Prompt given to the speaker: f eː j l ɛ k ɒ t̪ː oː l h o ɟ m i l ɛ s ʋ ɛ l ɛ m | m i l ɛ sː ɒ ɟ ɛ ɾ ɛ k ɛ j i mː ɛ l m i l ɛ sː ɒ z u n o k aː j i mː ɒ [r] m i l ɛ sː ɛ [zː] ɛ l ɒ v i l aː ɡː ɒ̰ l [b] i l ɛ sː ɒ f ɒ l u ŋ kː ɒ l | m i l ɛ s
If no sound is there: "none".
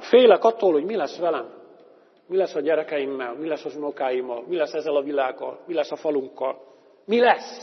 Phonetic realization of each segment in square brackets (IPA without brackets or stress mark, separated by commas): l, zː, m